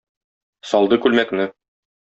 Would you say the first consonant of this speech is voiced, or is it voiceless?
voiceless